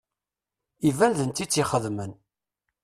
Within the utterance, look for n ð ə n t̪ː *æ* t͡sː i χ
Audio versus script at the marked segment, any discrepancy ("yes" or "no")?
yes